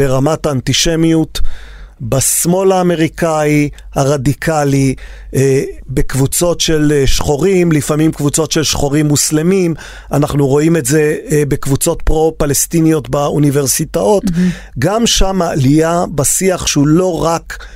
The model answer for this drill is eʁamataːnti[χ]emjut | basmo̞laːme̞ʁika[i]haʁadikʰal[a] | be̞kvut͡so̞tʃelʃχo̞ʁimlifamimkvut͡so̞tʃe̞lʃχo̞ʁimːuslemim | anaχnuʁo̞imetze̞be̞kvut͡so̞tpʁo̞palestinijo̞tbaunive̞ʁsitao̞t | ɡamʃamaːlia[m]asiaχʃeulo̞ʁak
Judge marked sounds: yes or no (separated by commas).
no, yes, no, no